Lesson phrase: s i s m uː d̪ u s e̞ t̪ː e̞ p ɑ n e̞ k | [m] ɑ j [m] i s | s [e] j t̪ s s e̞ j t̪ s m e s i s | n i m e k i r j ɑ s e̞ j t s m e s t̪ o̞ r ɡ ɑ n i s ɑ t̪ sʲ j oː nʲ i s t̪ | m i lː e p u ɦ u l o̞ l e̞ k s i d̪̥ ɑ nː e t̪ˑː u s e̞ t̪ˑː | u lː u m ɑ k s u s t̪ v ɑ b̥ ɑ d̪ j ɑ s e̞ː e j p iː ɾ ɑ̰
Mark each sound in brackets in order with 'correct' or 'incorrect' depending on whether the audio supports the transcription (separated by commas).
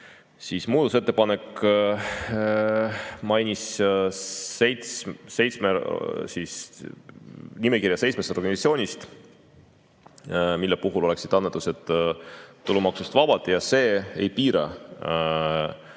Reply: correct, incorrect, correct